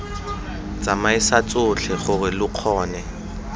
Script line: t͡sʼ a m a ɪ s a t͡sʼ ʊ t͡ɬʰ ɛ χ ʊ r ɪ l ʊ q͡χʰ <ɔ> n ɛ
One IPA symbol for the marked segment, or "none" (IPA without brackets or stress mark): ɔː